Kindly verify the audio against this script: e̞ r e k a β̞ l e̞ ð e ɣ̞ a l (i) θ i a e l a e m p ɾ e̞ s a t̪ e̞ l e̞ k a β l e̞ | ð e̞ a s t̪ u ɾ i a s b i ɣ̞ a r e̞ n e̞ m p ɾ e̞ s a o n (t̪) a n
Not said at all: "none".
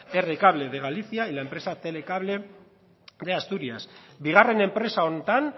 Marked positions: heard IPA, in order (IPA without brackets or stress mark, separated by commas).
i, t̪